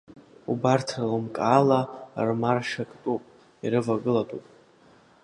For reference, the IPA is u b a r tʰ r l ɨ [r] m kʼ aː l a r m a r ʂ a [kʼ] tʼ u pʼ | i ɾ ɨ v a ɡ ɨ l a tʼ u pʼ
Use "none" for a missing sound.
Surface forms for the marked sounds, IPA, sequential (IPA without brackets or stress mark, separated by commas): none, kʼ